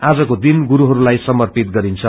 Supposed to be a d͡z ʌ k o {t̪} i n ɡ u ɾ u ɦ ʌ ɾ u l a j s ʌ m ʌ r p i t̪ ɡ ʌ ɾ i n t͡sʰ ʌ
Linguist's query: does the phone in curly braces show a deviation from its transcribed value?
yes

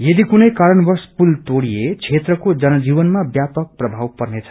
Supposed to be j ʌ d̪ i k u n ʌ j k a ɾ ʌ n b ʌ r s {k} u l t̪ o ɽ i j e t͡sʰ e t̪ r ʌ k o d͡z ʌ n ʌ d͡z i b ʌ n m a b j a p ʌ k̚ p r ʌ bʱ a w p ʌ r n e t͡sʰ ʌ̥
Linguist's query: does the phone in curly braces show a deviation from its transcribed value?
yes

